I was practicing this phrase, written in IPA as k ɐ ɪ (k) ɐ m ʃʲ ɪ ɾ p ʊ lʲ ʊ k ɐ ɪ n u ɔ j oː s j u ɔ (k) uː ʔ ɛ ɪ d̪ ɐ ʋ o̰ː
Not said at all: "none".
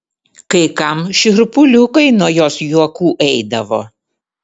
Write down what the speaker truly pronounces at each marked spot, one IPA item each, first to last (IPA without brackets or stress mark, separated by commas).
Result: k, k